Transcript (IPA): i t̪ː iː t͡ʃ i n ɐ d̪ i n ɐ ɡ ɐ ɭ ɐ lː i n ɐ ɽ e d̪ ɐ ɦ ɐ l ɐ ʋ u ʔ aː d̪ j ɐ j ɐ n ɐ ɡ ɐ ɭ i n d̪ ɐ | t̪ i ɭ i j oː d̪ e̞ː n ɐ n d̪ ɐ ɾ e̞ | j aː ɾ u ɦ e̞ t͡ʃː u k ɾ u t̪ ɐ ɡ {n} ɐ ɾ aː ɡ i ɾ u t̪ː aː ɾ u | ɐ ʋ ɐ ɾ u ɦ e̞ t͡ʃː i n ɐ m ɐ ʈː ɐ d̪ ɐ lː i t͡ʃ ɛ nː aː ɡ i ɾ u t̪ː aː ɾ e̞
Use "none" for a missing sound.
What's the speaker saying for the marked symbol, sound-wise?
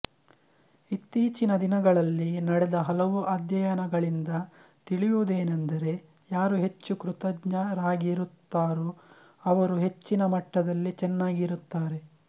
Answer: ɲ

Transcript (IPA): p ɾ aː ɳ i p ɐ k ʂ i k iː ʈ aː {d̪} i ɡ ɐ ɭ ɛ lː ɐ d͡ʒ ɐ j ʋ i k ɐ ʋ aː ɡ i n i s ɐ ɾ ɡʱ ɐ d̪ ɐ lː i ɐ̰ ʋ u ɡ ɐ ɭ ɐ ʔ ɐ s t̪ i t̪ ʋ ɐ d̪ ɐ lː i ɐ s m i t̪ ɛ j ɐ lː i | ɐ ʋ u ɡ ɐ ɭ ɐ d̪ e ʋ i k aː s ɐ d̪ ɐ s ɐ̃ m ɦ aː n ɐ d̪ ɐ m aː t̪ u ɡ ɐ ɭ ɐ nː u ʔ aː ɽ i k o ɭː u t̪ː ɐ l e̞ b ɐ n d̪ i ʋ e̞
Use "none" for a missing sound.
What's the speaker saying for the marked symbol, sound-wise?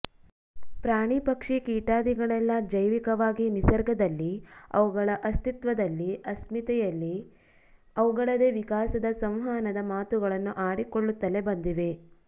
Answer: d̪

